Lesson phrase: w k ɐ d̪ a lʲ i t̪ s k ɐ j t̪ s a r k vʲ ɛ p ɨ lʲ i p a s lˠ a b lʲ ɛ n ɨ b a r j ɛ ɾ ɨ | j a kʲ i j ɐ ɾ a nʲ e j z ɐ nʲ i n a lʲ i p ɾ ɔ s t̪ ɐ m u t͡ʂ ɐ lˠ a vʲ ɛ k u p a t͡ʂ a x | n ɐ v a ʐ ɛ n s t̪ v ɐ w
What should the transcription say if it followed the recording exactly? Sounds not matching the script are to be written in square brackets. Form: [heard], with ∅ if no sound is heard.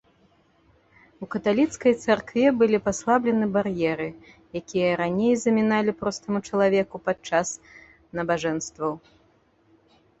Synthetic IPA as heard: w k ɐ [t̪] a lʲ i t̪ s k ɐ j t̪ s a r k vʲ ɛ [b] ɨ lʲ i p a s lˠ a b lʲ ɛ n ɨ b a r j ɛ ɾ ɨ | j a kʲ i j ɐ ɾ a nʲ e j z ɐ [mʲ] i n a lʲ i p ɾ ɔ s t̪ ɐ m u t͡ʂ ɐ lˠ a vʲ ɛ k u p a t͡ʂ a [s] | n ɐ [b] a ʐ ɛ n s t̪ v ɐ w